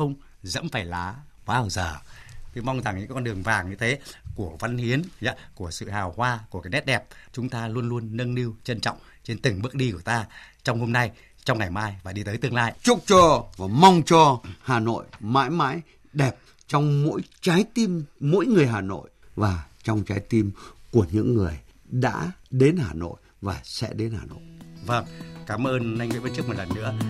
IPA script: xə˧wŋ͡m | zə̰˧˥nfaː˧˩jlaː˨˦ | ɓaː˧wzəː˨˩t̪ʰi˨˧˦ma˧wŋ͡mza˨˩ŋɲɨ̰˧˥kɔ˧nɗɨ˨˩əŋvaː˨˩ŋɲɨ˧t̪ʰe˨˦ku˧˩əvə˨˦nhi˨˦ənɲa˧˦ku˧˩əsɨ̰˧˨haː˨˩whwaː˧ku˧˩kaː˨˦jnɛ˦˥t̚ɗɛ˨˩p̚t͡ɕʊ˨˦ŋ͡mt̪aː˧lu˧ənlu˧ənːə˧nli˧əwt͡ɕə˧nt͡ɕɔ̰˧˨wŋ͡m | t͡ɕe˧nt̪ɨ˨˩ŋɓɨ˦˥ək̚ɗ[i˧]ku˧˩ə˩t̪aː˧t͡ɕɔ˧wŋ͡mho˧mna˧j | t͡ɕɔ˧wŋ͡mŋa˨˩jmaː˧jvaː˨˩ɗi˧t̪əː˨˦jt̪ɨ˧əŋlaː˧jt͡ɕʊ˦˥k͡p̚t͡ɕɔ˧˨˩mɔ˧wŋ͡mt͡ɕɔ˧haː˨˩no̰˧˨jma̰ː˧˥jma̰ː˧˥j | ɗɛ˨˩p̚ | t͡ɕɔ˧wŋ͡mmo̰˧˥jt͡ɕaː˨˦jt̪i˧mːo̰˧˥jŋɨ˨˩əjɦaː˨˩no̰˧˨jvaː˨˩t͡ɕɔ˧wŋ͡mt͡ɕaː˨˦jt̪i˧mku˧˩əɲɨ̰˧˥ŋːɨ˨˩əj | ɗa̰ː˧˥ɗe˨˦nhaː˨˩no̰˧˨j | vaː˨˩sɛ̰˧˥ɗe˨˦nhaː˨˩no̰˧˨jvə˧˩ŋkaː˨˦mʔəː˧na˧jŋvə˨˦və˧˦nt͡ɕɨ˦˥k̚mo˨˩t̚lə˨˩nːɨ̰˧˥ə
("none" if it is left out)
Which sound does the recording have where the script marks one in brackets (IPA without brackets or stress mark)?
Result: i˧